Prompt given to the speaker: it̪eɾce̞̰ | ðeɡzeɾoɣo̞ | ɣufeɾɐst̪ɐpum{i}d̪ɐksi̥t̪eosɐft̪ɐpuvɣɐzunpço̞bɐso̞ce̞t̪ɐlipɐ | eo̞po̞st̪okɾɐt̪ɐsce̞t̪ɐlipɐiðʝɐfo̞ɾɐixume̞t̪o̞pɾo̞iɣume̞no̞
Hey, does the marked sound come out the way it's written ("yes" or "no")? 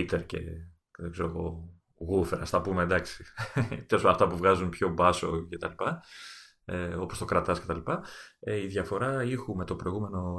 no